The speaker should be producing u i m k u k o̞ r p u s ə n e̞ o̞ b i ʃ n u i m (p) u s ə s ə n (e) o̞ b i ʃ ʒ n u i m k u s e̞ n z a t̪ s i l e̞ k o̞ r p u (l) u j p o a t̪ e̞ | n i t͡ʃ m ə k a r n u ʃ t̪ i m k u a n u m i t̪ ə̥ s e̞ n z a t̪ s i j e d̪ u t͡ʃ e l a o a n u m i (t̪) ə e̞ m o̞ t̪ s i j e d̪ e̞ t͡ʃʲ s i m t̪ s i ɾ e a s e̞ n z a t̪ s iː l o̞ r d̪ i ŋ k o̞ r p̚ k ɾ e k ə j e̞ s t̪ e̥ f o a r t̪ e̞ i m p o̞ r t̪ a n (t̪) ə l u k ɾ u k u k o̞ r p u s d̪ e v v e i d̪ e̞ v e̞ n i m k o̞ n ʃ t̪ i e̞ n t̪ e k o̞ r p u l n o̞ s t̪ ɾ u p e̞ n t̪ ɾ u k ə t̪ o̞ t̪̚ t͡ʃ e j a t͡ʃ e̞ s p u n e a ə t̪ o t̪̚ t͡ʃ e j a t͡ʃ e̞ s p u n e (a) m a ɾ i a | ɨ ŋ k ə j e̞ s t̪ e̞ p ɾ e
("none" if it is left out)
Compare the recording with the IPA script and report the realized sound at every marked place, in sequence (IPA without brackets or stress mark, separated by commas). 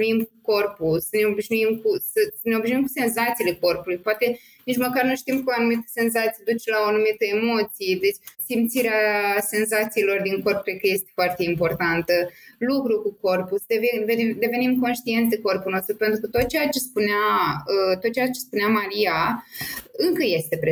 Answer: k, e, l, t̪, t̪, a